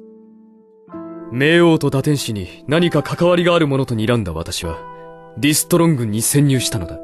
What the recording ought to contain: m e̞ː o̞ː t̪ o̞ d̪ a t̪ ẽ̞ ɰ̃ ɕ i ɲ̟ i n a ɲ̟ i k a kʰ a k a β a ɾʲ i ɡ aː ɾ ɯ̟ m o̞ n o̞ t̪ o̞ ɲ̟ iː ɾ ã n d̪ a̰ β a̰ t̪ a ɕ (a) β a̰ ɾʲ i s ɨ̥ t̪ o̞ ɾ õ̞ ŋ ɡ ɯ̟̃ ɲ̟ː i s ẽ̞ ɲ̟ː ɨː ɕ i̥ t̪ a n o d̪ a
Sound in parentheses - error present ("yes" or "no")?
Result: yes